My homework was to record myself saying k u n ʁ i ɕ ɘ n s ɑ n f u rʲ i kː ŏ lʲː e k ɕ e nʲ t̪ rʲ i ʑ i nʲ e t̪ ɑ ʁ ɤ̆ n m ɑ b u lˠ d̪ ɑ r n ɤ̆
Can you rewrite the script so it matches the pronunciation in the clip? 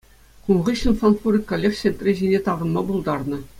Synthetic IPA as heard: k u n ʁ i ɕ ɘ n f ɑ n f u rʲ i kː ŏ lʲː e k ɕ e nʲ t̪ rʲ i ʑ i nʲ e t̪ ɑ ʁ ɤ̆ n m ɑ b u lˠ d̪ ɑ r n ɤ̆